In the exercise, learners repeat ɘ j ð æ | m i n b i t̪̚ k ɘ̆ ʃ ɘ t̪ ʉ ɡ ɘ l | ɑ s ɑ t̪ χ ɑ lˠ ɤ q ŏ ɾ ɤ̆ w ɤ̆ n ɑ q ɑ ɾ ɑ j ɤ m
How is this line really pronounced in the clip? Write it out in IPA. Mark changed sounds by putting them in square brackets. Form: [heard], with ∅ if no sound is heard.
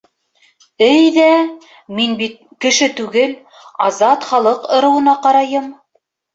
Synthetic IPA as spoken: ɘ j ð æ | m i n b i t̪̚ k ɘ̆ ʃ ɘ t̪ ʉ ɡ ɘ l | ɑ [z] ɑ t̪ χ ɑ lˠ ɤ q ŏ ɾ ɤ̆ w ɤ̆ n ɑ q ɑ ɾ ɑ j ɤ m